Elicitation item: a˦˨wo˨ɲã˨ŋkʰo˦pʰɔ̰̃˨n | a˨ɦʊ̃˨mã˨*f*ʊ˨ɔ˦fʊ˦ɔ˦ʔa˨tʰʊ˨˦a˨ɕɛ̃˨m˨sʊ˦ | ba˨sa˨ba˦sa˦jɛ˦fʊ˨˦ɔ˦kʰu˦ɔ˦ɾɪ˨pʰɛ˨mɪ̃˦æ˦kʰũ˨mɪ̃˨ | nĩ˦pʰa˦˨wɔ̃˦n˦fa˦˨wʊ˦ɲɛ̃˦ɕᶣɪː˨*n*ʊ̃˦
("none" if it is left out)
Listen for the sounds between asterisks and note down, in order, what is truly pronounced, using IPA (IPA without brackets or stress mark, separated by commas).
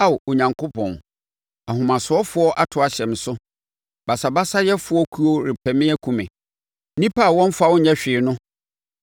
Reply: s, n